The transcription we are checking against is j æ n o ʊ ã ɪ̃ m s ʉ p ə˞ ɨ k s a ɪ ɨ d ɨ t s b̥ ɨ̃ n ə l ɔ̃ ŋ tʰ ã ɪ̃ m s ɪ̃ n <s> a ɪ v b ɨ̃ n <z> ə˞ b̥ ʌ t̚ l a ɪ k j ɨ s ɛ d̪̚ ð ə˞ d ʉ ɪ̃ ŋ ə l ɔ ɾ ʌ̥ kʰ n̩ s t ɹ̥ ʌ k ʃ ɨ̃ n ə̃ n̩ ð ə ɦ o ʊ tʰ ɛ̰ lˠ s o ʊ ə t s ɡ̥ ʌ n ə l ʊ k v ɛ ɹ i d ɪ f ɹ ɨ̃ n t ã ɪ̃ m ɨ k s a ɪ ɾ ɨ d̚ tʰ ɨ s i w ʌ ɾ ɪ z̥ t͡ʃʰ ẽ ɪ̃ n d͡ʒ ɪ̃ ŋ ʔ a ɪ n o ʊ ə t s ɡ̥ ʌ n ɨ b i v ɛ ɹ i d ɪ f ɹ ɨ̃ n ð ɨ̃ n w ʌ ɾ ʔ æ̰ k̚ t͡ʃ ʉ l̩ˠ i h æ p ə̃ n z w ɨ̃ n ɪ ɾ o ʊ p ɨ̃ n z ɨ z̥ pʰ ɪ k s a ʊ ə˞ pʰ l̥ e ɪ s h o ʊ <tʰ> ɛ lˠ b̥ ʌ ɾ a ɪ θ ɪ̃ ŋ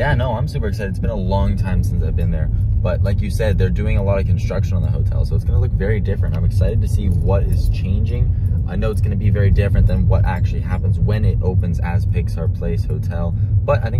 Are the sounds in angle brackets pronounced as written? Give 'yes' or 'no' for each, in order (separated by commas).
yes, no, yes